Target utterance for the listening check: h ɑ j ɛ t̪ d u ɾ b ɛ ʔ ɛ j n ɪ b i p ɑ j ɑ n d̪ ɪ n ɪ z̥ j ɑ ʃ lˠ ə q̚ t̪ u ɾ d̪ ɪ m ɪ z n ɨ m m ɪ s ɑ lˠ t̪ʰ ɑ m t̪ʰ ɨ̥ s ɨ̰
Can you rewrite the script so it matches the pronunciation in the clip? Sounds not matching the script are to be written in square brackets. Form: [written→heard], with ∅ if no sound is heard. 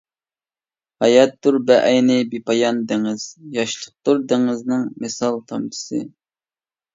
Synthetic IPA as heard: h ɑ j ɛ t̪ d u ɾ b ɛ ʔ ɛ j n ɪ b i p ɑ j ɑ n d̪ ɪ [n→ŋ] ɪ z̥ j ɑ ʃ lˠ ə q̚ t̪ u ɾ d̪ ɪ [m→ŋ] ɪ z n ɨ [m→ŋ] m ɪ s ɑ lˠ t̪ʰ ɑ m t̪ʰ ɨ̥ s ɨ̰